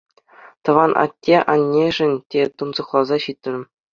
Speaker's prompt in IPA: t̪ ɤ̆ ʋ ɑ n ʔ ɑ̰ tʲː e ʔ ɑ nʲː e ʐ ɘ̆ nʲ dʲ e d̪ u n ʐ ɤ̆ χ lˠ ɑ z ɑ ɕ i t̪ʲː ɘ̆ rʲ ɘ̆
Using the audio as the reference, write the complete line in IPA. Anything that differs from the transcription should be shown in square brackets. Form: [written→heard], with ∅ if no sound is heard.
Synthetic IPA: t̪ ɤ̆ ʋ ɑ n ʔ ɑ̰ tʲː e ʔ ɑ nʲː e ʐ ɘ̆ nʲ [dʲ→tʲ] e [d̪→t̪] u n [ʐ→z] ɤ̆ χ lˠ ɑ z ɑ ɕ i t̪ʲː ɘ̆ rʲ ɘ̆